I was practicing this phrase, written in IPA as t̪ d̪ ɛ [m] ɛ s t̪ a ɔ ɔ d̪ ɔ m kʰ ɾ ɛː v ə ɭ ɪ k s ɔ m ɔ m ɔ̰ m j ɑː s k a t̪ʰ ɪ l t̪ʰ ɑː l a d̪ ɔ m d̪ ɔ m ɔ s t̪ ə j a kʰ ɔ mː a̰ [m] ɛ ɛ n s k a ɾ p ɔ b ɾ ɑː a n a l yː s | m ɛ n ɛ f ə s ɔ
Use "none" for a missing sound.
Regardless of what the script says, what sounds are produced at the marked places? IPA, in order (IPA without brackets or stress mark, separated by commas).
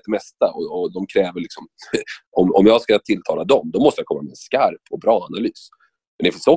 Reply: m, m